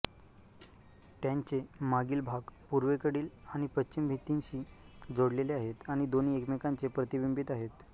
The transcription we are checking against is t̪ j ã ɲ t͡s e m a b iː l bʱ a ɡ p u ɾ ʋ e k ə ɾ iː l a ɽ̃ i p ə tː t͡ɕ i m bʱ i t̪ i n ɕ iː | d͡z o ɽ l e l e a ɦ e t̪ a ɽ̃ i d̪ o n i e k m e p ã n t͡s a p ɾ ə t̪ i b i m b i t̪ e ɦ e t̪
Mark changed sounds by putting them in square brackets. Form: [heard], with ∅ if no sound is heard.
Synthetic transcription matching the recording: t̪ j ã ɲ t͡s e m a [ɡ] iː l bʱ a ɡ p u ɾ ʋ e k ə [ɽ] iː l a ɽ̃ i p ə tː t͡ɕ i m bʱ i t̪ i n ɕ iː | d͡z o ɽ l e l e a ɦ e t̪ a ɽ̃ i d̪ o n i e k m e [k] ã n t͡s [e] p ɾ ə t̪ i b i m b i t̪ [a] ɦ e t̪